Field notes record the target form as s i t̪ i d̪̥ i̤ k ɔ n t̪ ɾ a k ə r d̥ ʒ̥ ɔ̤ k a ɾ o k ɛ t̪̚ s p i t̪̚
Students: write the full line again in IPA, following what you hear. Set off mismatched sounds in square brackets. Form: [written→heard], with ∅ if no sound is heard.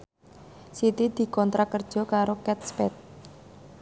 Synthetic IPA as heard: s i t̪ i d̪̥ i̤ k ɔ n t̪ ɾ a k ə r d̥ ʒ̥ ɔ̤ k a ɾ o k ɛ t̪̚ s p [i→ɛ] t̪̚